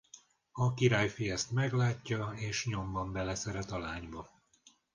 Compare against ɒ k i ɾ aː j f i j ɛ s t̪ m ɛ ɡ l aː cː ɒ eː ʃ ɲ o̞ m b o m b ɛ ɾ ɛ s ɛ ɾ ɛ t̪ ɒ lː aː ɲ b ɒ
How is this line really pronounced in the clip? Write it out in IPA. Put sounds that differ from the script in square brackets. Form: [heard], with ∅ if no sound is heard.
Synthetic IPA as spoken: ɒ k i ɾ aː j f i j ɛ s t̪ m ɛ ɡ l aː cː ɒ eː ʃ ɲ o̞ m b [ɒ] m b ɛ [l] ɛ s ɛ ɾ ɛ t̪ ɒ [l] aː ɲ b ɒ